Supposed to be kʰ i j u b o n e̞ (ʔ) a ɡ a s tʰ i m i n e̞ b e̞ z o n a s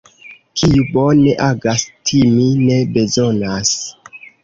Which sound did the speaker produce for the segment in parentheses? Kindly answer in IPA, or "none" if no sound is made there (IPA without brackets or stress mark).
ʔ